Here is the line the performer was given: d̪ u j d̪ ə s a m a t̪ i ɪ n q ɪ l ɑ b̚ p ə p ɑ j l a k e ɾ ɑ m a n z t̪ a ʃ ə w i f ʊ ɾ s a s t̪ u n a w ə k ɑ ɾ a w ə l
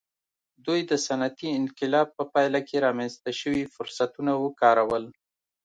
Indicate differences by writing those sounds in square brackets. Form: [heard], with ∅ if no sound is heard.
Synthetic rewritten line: d̪ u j d̪ ə s a [n] a t̪ i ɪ n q ɪ l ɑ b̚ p ə p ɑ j l a k e ɾ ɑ m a n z t̪ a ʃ ə w i f ʊ ɾ s a [∅] t̪ u n a w ə k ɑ ɾ a w ə l